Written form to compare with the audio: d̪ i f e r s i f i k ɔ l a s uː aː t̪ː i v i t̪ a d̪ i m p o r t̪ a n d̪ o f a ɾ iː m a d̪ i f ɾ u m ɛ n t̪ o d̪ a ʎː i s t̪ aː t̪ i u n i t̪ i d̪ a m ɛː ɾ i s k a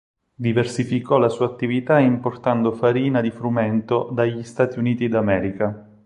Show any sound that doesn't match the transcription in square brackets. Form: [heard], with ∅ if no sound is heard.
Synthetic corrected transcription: d̪ i [v] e r s i f i k ɔ l a s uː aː t̪ː i v i t̪ a [∅] i m p o r t̪ a n d̪ o f a ɾ iː [n] a d̪ i f ɾ u m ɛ n t̪ o d̪ a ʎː i s t̪ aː t̪ i u n [iː] t̪ i d̪ a m ɛː ɾ i [∅] k a

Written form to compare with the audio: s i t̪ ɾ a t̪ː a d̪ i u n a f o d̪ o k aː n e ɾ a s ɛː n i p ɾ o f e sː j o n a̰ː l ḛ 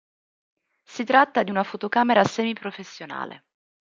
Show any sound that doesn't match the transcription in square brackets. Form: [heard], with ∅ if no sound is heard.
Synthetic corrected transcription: s i t̪ ɾ a t̪ː a d̪ i u n a f o [t̪] o k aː [m] e ɾ a s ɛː [m] i p ɾ o f e sː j o n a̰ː l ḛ

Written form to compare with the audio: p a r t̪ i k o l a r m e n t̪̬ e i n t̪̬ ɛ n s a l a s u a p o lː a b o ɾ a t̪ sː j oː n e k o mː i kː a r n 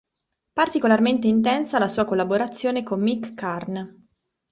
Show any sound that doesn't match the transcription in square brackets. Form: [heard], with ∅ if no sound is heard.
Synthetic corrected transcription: p a r t̪ i k o l a r m e n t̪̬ e i n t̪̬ ɛ n s a l a s [uː] a [k] o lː a b o ɾ a t̪ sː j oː n e k o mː i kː a r n

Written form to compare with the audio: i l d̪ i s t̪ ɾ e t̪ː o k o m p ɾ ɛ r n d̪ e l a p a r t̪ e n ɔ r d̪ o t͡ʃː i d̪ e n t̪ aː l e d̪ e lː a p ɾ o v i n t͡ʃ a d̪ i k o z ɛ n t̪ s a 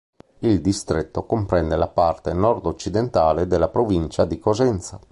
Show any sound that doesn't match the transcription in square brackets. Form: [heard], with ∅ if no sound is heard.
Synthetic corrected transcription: i l d̪ i s t̪ ɾ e t̪ː o k o m p ɾ ɛ [∅] n d̪ e l a p a r t̪ e n ɔ r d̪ o t͡ʃː i d̪ e n t̪ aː l e d̪ e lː a p ɾ o v i n t͡ʃ a d̪ i k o z ɛ n t̪ s a

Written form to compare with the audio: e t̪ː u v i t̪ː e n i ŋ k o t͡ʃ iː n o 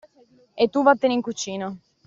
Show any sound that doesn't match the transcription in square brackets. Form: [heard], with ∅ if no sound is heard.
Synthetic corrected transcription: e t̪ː u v [a] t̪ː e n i ŋ k [u] t͡ʃ iː n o

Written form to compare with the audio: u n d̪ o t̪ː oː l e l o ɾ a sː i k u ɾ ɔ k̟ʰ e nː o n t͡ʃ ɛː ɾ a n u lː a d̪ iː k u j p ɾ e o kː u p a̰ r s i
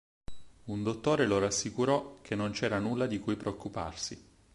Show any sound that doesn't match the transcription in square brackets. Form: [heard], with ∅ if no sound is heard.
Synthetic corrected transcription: u n d̪ o t̪ː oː [ɾ] e l o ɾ a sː i k u ɾ ɔ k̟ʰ e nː o n t͡ʃ ɛː ɾ a n u lː a d̪ [i] k u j p ɾ e o kː u p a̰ r s i

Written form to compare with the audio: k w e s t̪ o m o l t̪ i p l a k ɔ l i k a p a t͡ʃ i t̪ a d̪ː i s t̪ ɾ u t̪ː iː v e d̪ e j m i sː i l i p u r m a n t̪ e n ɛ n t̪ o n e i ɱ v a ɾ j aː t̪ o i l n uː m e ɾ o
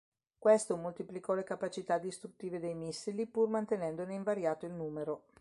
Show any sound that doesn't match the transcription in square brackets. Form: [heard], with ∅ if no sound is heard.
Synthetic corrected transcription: k w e s t̪ o m o l t̪ i p l [i] k ɔ l [e] k a p a t͡ʃ i t̪ a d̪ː i s t̪ ɾ u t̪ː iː v e d̪ e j m i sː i l i p u r m a n t̪ e n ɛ n [d̪] o n e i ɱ v a ɾ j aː t̪ o i l n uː m e ɾ o

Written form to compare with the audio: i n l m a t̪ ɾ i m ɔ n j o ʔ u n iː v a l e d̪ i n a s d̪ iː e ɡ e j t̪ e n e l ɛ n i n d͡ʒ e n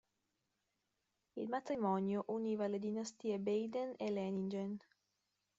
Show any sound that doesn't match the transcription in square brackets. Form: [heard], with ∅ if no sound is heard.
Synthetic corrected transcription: i [∅] l m a t̪ ɾ i m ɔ n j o ʔ u n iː v a l e d̪ i n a s [t̪] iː e [b] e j [d̪] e n e l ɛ n i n d͡ʒ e n

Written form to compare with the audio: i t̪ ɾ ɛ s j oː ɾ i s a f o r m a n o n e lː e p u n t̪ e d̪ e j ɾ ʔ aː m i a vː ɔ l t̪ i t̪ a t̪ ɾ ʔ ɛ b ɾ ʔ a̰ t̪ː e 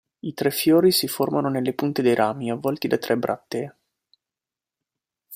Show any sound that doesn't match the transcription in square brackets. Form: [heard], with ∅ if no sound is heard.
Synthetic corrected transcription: i t̪ ɾ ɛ [f] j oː ɾ i s [i] f o r m a n o n e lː e p u n t̪ e d̪ e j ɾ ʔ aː m i a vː ɔ l t̪ i [d̪] a t̪ ɾ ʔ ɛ b ɾ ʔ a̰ t̪ː e

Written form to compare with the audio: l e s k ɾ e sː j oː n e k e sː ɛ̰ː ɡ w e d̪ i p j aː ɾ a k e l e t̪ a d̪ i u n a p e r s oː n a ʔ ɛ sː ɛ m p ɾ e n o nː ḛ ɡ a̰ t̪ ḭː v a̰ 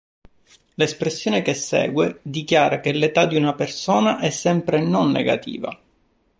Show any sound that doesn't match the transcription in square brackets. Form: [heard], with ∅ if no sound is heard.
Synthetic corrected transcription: l e s [p] ɾ e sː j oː n e k e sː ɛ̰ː ɡ w e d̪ i [k] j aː ɾ a k e l e t̪ a d̪ i u n a p e r s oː n a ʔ ɛ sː ɛ m p ɾ e n o nː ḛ ɡ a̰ t̪ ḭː v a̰

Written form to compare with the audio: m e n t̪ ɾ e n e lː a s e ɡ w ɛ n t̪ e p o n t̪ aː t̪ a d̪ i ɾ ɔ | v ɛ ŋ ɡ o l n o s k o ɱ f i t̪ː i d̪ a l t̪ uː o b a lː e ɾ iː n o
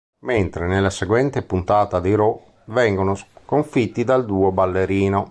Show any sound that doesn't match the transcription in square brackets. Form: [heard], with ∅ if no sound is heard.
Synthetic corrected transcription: m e n t̪ ɾ e n e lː a s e ɡ w ɛ n t̪ e p [u] n t̪ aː t̪ a d̪ i ɾ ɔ | v ɛ ŋ ɡ o [∅] n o s k o ɱ f i t̪ː i d̪ a l [d̪] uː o b a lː e ɾ iː n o

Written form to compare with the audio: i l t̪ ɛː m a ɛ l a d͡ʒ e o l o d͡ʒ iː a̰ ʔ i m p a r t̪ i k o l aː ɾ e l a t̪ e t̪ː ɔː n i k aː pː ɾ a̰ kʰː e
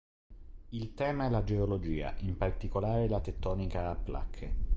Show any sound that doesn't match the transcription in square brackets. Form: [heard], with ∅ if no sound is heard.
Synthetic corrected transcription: i l t̪ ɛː m a ɛ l a d͡ʒ e o l o d͡ʒ iː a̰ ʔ i m p a r t̪ i k o l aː ɾ e l a t̪ e t̪ː ɔː n i k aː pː [l] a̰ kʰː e

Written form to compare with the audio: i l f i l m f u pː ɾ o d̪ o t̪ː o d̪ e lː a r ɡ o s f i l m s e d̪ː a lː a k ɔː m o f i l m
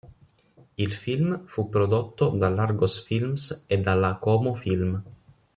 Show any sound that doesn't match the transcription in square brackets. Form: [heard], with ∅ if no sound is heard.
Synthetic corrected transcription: i l f i l m f u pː ɾ o d̪ o t̪ː o d̪ [a] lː a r ɡ o s f i l m s e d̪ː a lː a k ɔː m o f i l m

